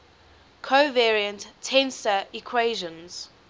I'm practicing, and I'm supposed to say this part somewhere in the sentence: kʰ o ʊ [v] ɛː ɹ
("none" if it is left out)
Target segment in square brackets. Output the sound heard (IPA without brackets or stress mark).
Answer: v